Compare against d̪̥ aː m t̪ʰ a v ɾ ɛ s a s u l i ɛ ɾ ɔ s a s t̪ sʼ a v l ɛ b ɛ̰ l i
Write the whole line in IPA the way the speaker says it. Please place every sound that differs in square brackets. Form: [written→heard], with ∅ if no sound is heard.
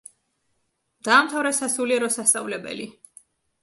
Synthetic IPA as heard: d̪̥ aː m t̪ʰ a v ɾ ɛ s a s u l i ɛ ɾ ɔ s a s t̪ sʼ a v l ɛ b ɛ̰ l i